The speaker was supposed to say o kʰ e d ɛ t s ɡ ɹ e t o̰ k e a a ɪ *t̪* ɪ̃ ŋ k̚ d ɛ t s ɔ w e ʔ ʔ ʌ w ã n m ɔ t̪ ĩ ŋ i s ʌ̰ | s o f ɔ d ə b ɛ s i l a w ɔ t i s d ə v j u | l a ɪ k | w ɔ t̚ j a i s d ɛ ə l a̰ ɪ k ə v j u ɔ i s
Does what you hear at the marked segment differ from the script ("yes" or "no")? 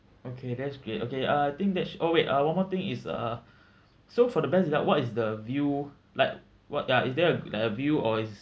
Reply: no